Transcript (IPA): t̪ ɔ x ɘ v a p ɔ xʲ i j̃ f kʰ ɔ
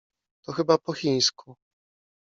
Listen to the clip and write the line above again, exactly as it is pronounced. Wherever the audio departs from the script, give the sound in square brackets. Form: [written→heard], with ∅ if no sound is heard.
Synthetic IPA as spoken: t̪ ɔ x ɘ [v→b] a p ɔ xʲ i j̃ [f→s] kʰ [ɔ→u]